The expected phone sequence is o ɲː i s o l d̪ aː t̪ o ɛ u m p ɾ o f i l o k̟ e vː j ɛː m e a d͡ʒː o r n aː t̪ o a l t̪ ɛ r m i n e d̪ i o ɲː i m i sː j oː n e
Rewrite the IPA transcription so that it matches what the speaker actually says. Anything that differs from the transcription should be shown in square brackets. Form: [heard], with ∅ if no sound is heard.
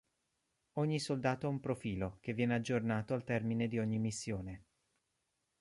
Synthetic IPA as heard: o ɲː i s o l d̪ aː t̪ o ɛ u m p ɾ o f [iː] l o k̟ e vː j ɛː [n] e a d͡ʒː o r n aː t̪ o a l t̪ ɛ r m i n e d̪ i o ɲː i m i sː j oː n e